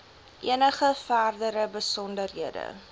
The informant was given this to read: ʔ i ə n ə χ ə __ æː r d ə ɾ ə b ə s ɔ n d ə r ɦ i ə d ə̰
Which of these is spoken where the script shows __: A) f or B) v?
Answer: A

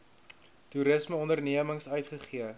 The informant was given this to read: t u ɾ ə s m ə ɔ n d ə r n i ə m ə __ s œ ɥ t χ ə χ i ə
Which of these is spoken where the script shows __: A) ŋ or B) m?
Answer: A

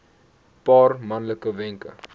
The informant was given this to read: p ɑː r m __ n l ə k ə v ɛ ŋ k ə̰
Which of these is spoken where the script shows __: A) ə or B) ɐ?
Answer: B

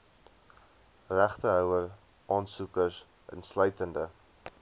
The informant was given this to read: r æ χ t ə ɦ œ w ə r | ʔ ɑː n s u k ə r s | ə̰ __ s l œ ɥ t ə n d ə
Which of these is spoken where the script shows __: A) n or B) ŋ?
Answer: A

